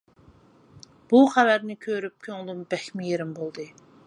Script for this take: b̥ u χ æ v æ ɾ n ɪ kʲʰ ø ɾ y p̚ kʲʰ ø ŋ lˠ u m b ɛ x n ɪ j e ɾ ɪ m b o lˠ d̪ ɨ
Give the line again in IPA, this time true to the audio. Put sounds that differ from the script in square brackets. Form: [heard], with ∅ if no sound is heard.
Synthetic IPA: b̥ u χ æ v æ ɾ n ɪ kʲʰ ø ɾ y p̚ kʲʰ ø ŋ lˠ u m b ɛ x [m] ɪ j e ɾ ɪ m b o lˠ d̪ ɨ